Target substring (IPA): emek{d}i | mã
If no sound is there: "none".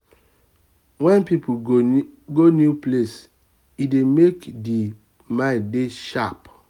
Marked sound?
d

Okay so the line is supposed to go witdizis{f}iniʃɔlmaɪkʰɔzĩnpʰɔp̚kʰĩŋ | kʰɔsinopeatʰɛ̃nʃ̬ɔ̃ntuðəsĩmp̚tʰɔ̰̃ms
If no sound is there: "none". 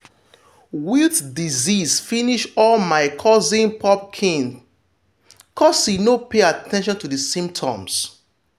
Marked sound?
f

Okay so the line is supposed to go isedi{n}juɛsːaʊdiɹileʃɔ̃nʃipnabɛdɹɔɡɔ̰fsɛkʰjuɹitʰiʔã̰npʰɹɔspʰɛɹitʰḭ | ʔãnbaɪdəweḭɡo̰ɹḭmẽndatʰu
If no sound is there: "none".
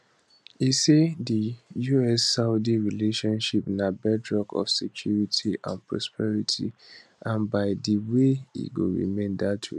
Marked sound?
none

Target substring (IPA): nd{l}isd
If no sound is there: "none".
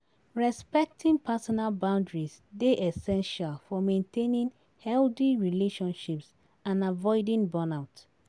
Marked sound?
ɹ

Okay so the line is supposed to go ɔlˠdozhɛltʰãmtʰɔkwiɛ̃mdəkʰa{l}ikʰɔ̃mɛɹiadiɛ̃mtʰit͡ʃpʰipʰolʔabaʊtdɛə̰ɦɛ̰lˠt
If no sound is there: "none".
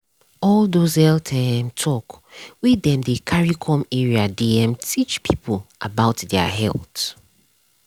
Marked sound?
ɹ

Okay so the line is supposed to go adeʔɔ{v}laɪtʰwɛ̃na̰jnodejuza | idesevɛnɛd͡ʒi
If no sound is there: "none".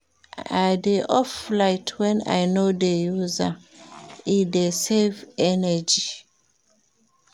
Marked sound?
f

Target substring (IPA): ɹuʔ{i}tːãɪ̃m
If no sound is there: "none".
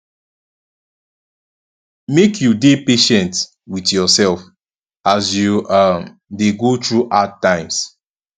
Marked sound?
a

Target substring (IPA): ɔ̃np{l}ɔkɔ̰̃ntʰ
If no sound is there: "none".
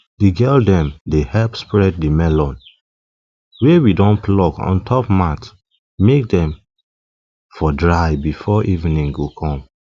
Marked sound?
l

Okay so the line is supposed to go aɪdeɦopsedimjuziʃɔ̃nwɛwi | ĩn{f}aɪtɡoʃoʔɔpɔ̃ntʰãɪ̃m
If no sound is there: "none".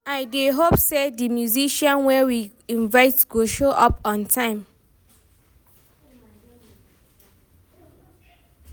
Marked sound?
v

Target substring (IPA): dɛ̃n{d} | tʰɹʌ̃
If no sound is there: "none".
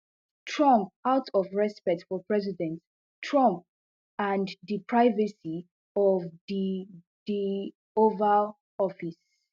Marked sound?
t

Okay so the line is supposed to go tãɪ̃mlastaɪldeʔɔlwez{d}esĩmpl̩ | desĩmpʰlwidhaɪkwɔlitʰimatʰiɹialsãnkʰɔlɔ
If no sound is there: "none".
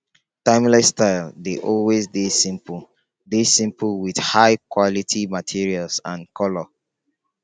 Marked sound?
d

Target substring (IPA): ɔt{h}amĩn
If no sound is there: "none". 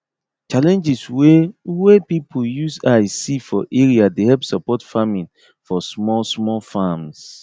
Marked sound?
f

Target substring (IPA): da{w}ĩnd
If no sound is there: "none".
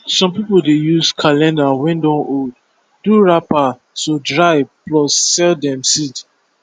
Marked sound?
w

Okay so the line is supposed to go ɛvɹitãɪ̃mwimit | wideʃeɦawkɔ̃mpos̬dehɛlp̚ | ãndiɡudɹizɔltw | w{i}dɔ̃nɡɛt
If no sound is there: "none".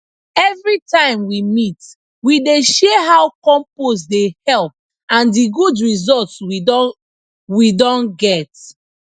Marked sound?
i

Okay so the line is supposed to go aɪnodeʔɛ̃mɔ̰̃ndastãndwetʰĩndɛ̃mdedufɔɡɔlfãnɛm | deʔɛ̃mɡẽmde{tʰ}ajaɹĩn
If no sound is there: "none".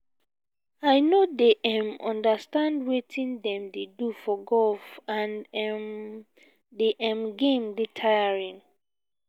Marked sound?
tʰ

